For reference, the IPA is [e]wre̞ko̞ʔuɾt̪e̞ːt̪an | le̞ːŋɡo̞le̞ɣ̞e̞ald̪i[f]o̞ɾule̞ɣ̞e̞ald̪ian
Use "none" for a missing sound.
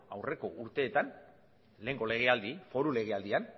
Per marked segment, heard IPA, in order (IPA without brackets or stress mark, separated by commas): a, f